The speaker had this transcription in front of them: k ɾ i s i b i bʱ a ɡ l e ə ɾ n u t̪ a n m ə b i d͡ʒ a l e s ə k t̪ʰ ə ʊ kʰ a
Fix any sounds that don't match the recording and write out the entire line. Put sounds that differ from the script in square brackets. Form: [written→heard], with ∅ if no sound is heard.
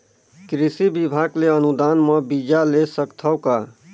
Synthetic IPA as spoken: k ɾ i s i b i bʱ a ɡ l e ə [ɾ→∅] n u [t̪→d̪] a n m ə b i d͡ʒ a l e s ə k t̪ʰ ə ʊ [kʰ→k] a